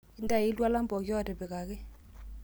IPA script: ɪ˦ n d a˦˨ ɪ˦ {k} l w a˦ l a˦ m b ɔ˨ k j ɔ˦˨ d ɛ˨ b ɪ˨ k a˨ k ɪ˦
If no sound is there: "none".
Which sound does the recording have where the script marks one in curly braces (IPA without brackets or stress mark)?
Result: none